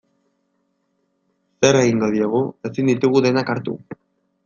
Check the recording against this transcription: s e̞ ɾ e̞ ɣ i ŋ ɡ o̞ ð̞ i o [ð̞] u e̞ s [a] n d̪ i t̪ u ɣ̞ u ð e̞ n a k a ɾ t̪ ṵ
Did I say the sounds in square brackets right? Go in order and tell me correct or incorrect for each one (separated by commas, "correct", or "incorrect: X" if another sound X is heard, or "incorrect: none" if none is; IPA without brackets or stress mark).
incorrect: ɣ̞, incorrect: i